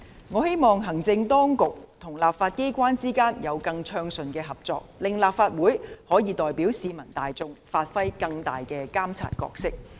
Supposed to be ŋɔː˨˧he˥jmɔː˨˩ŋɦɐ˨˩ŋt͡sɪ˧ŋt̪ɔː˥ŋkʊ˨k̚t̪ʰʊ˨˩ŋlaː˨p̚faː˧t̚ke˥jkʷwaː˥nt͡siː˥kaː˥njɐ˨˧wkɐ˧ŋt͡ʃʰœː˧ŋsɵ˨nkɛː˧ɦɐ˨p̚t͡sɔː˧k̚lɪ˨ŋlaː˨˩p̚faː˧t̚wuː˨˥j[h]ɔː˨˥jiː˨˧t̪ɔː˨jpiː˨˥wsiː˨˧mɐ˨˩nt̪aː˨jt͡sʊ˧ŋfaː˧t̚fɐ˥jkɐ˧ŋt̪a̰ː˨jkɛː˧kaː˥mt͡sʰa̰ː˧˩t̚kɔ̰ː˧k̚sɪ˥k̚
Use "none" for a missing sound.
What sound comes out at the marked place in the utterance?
h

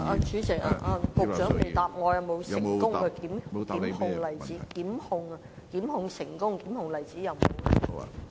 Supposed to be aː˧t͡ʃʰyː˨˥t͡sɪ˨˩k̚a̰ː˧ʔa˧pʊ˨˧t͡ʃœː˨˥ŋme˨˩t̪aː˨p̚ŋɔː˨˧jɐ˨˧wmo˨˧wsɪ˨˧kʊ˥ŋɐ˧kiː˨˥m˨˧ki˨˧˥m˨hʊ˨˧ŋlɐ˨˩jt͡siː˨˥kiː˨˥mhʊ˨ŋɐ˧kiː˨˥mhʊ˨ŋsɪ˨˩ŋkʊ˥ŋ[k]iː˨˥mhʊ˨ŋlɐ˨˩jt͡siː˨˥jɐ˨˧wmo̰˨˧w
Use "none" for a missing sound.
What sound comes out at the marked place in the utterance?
k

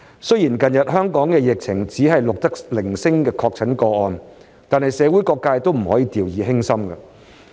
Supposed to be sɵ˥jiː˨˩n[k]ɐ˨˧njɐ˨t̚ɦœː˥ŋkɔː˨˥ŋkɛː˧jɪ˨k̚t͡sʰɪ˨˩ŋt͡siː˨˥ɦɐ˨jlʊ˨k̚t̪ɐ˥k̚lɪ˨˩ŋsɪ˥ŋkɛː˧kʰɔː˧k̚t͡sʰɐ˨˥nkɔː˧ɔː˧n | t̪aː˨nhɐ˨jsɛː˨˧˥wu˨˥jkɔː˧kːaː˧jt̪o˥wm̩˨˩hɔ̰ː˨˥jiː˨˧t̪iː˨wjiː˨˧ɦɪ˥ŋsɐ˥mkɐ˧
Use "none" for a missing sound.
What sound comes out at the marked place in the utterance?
k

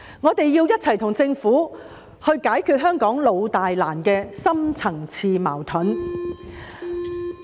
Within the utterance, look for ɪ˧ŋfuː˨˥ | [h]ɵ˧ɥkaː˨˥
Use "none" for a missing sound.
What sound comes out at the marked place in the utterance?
h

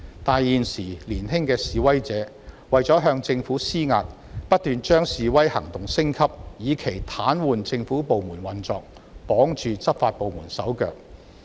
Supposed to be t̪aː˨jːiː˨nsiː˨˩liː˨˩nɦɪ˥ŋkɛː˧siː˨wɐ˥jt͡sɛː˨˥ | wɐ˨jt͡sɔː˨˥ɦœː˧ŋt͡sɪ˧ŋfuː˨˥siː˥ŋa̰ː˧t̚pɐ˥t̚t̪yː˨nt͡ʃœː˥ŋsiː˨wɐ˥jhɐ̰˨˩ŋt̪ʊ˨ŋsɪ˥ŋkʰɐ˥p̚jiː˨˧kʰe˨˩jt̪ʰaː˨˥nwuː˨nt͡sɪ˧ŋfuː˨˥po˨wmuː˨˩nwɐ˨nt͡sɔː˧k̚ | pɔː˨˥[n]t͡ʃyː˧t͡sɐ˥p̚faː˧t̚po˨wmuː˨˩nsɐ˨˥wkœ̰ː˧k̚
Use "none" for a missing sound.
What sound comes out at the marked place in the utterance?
ŋ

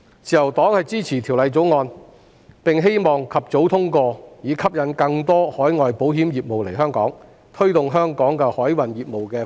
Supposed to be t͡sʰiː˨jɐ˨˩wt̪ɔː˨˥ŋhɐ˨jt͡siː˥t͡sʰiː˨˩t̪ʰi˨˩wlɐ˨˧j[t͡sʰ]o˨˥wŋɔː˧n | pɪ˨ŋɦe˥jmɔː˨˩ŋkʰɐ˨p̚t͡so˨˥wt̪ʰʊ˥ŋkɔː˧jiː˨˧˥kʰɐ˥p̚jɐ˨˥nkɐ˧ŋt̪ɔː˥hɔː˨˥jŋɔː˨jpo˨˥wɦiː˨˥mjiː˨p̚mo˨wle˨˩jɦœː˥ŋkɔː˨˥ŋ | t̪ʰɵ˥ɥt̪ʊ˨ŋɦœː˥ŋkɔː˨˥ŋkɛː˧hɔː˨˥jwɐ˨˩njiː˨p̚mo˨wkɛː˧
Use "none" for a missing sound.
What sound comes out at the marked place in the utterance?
t͡s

